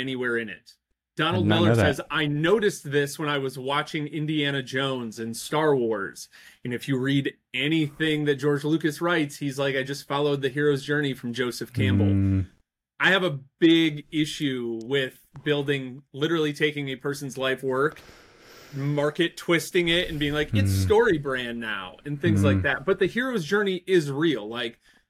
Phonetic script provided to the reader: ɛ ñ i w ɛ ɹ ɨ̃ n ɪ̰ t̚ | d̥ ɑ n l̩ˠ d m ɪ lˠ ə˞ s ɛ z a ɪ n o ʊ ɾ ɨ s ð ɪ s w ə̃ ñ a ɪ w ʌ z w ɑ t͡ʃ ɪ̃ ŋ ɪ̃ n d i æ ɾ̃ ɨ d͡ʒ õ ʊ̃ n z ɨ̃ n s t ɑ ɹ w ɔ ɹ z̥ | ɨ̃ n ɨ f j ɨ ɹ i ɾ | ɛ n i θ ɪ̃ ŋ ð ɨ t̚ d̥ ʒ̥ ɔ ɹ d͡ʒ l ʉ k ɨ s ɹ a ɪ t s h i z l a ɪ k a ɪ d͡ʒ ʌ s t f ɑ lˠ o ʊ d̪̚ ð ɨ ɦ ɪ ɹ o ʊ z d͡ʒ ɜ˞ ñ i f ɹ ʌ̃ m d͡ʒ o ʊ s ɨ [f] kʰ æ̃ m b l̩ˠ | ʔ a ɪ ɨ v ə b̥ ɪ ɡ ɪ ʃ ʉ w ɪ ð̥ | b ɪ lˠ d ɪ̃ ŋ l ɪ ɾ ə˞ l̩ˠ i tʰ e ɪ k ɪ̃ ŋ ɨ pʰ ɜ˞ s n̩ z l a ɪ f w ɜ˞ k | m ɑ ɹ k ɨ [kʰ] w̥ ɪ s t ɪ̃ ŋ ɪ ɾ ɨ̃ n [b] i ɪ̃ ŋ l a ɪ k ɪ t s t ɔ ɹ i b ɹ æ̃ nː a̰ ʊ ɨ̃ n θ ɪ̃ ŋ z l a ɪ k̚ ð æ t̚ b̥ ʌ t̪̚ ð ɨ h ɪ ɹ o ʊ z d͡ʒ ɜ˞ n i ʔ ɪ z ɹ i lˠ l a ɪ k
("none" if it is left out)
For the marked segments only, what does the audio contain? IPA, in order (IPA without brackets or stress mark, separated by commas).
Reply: f, tʰ, b